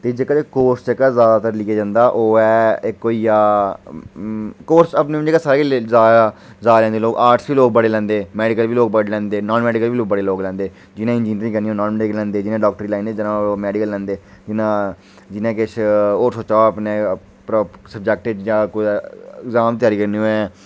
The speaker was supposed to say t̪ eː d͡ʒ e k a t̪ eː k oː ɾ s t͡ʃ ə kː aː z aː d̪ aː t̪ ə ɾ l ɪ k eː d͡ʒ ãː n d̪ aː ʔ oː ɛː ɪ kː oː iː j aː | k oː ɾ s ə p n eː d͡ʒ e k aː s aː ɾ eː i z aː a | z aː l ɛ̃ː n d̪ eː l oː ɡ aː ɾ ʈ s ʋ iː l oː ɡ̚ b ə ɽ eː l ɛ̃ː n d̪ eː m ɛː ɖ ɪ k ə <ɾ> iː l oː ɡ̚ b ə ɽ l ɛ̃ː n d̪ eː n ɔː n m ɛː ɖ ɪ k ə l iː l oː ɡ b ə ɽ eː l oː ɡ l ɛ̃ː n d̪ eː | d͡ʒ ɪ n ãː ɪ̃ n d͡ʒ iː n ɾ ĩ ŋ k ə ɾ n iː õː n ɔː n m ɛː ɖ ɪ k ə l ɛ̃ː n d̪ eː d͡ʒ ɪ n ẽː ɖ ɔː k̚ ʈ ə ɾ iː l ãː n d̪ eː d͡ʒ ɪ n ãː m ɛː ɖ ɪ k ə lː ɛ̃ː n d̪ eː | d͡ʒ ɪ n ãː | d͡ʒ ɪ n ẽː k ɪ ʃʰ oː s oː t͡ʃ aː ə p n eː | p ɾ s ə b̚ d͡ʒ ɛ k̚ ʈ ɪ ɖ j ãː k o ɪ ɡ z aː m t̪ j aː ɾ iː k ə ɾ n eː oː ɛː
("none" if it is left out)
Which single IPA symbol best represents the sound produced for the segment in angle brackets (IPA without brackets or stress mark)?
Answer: l